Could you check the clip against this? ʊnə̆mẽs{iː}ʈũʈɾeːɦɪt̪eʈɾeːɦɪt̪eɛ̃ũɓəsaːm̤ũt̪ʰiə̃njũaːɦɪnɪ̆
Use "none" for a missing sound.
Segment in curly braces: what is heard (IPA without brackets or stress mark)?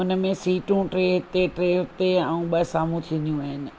iː